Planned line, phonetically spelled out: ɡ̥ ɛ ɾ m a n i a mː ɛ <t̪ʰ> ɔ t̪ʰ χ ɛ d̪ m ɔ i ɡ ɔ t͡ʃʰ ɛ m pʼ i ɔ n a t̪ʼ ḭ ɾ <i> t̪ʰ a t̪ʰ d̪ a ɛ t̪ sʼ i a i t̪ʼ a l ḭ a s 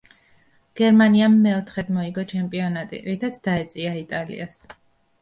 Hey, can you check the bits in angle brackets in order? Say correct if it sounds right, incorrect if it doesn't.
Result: incorrect: none, correct

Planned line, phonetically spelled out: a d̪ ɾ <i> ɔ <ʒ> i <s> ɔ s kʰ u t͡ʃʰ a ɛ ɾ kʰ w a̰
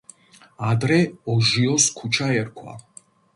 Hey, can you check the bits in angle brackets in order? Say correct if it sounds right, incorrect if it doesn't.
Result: incorrect: ɛ, correct, incorrect: none

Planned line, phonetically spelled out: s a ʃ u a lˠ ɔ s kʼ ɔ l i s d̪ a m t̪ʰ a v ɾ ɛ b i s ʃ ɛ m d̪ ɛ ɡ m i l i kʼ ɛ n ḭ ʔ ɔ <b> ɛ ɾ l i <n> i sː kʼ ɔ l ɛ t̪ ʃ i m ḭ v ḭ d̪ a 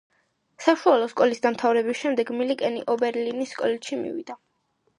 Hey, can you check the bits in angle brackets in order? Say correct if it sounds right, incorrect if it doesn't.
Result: correct, correct

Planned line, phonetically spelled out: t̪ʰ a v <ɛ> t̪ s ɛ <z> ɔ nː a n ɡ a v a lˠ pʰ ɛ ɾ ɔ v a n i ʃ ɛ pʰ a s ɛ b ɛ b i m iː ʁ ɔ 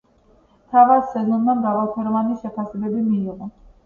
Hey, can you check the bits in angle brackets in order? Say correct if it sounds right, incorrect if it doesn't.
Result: incorrect: a, correct

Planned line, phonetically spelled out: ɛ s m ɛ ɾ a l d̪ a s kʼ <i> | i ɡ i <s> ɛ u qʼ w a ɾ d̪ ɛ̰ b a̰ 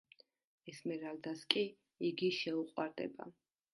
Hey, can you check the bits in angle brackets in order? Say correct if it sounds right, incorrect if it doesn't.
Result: correct, incorrect: ʃ

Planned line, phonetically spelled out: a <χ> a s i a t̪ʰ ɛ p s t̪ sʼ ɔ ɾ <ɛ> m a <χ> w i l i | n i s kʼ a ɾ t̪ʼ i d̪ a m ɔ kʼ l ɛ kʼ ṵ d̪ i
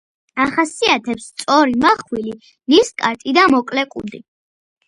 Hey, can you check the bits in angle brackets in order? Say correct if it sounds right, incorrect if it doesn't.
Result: correct, incorrect: i, correct

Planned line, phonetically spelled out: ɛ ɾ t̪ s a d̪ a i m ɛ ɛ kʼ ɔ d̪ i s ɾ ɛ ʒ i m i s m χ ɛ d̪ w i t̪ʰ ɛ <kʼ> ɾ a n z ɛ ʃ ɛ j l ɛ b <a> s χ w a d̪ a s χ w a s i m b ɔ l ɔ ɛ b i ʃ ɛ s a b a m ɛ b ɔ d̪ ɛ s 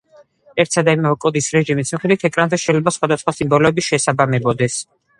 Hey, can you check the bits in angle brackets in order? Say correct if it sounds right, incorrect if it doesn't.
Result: correct, correct

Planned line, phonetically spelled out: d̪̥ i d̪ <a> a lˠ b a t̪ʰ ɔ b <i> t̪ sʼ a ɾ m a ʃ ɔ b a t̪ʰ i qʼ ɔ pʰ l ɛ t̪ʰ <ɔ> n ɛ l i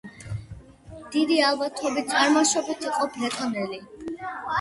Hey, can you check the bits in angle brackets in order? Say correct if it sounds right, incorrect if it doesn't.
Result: incorrect: i, correct, correct

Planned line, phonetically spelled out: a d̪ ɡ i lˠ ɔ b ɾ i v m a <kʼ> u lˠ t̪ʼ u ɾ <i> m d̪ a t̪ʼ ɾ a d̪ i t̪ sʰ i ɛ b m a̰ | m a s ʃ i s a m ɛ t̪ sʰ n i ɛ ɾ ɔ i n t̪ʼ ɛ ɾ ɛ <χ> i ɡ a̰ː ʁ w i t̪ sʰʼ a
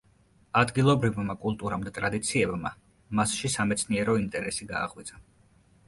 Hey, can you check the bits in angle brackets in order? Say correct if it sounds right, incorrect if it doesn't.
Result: correct, incorrect: a, incorrect: s

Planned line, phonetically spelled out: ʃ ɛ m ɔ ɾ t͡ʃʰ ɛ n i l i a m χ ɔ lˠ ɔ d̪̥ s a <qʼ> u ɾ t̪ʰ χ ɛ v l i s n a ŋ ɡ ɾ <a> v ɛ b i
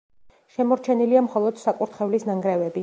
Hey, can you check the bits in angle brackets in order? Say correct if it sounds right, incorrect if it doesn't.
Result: incorrect: kʼ, incorrect: ɛ

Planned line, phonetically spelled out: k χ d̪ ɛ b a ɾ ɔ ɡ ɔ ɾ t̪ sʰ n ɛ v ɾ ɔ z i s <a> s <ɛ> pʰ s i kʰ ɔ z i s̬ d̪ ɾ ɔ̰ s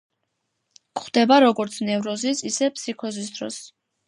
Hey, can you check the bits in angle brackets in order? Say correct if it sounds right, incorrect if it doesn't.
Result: incorrect: i, correct

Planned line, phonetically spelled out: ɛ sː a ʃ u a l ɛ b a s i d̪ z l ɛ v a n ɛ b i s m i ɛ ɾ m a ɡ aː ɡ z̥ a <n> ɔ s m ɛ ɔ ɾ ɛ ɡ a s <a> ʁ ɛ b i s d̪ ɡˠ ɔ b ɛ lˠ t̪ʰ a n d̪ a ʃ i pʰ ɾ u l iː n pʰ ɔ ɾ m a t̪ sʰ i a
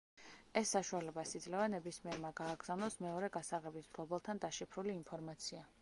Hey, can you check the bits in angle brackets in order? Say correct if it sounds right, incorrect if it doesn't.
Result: correct, correct

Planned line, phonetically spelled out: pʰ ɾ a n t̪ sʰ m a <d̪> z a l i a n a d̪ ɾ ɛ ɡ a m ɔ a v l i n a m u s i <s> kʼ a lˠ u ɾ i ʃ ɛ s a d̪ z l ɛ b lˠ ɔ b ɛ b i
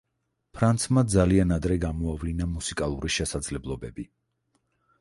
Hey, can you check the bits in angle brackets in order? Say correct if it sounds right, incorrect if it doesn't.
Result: correct, incorrect: none

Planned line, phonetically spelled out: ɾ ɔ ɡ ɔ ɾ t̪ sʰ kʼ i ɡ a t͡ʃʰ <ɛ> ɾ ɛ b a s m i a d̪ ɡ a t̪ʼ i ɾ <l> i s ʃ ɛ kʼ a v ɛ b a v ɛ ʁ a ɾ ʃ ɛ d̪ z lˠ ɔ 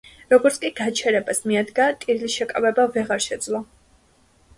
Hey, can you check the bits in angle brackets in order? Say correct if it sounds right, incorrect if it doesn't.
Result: correct, correct

